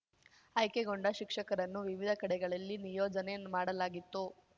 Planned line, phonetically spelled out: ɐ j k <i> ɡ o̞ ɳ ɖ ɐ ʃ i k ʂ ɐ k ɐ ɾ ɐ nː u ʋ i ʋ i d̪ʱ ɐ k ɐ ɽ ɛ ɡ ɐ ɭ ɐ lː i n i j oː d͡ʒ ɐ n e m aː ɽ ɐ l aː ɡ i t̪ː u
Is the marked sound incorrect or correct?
incorrect